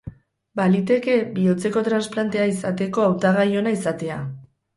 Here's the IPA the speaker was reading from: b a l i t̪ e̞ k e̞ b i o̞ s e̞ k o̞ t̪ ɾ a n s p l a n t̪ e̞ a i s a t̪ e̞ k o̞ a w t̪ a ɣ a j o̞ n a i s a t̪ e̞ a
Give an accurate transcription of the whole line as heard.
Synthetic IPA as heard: b a l i t̪ e̞ k e̞ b i o̞ t͡s e̞ k o̞ t̪ ɾ a n s p l a n t̪ e̞ a i s a t̪ e̞ k o̞ a w t̪ a ɣ a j o̞ n a i s a t̪ e̞ a